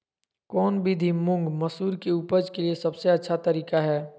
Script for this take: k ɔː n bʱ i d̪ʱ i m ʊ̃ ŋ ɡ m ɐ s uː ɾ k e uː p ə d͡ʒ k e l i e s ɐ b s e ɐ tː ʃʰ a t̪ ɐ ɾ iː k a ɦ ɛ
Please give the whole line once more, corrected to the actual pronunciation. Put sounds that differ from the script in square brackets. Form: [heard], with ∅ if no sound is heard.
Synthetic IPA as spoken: k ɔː n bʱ i d̪ʱ i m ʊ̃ ŋ ɡ m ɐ s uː ɾ k e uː p ə d͡ʒ k e l i e s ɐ b s e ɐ tː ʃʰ a t̪ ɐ ɾ iː k a ɦ [ɛː]